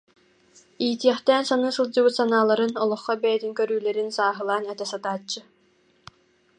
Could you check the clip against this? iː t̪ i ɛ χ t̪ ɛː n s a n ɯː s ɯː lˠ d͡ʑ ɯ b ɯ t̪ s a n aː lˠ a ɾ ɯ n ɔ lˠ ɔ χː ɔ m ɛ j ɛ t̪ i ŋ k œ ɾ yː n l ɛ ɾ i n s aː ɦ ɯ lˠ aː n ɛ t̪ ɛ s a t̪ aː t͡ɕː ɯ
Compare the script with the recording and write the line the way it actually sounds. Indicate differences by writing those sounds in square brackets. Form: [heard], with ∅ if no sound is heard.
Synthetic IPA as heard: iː t̪ i ɛ χ t̪ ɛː n s a n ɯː s [ɯ] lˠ d͡ʑ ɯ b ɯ t̪ s a n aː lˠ a ɾ ɯ n ɔ lˠ ɔ χː ɔ [b] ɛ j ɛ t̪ i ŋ k œ ɾ yː [∅] l ɛ ɾ i n s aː ɦ ɯ lˠ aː n ɛ t̪ ɛ s a t̪ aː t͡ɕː ɯ